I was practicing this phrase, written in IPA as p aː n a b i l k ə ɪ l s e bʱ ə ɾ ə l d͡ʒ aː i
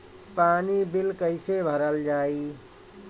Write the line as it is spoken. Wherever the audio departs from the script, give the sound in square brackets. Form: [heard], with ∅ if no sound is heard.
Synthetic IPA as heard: p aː n [i] b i l k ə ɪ [∅] s e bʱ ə ɾ ə l d͡ʒ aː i